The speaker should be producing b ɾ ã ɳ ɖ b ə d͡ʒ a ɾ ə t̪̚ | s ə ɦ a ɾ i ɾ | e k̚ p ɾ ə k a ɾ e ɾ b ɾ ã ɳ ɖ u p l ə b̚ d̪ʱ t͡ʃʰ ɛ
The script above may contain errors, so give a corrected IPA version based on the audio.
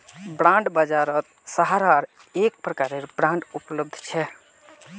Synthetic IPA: b ɾ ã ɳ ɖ b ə d͡ʒ a ɾ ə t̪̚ | s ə ɦ a ɾ a ɾ | e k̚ p ɾ ə k a ɾ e ɾ b ɾ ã ɳ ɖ u p l ə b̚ d̪ʱ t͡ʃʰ ɛ

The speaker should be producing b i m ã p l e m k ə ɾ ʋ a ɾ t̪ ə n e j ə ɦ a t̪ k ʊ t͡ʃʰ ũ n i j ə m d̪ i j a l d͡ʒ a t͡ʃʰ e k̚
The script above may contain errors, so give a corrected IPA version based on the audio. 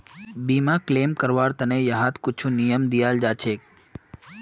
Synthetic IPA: b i m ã k l e m k ə ɾ ʋ a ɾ t̪ ə n e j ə ɦ a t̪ k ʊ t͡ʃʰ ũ n i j ə m d̪ i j a l d͡ʒ a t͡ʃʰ e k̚

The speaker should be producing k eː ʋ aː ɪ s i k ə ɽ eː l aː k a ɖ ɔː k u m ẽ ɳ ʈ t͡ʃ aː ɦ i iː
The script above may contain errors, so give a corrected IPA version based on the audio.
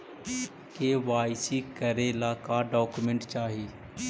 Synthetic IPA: k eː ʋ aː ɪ s i k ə ɾ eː l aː k a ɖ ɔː k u m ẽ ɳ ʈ t͡ʃ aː ɦ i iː

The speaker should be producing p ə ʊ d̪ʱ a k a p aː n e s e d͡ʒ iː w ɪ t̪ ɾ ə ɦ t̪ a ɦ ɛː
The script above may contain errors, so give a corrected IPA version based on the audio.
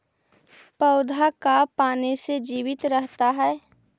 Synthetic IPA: p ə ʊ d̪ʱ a k a p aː n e s e d͡ʒ iː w ɪ t̪ ɾ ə ɦ t̪ a ɦ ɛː

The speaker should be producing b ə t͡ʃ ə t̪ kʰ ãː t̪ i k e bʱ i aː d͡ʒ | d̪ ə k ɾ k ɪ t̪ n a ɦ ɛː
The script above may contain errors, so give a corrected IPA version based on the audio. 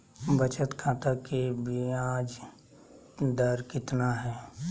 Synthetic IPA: b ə t͡ʃ ə t̪ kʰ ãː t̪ a k e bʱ i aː d͡ʒ | d̪ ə ɾ k ɪ t̪ n a ɦ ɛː

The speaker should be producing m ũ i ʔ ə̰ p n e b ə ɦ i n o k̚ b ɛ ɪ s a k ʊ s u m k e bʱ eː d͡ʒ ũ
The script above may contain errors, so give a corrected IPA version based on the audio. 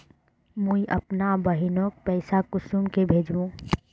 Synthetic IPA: m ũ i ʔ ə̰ p n a b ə ɦ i n o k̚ p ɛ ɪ s a k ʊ s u m k e bʱ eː d͡ʒ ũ

